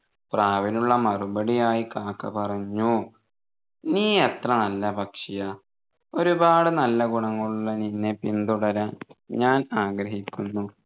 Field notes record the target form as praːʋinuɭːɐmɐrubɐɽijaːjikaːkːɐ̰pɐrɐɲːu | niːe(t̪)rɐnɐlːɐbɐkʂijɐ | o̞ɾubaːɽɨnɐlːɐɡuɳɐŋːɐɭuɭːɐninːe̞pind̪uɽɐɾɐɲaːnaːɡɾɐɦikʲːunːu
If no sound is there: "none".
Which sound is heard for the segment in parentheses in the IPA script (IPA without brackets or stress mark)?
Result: t̪